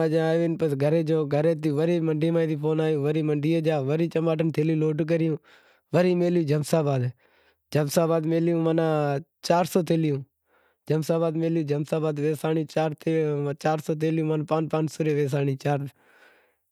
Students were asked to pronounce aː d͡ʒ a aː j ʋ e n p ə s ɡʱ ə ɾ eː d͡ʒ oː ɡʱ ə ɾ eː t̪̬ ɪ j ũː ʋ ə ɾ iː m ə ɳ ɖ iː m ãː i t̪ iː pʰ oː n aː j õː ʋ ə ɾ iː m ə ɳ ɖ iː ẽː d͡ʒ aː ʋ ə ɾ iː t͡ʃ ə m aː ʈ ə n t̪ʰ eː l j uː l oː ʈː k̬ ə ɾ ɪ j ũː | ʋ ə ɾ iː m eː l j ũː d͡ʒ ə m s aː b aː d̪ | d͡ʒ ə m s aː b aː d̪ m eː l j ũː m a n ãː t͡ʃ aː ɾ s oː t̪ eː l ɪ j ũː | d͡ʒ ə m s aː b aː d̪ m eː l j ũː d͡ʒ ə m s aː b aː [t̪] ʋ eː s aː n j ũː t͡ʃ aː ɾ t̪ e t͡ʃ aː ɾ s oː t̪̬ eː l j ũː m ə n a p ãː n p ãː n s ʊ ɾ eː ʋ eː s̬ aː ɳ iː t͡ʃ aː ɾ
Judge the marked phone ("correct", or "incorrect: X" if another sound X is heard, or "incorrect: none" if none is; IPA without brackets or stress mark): incorrect: d̪